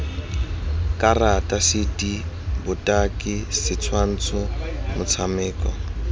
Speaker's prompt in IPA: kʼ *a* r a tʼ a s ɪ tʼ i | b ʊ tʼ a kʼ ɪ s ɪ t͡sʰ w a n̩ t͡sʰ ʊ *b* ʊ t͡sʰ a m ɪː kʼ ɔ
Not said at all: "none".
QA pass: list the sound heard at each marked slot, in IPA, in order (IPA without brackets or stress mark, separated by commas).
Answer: a, m